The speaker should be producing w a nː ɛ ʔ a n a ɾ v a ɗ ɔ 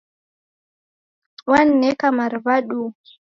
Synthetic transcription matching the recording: w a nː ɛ k a m a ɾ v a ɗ u